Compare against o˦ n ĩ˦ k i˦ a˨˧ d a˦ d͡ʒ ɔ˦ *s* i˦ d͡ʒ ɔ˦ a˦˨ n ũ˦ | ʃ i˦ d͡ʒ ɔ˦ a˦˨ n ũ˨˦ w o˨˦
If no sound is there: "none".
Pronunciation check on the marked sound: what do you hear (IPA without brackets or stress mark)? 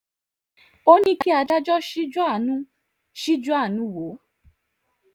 ʃ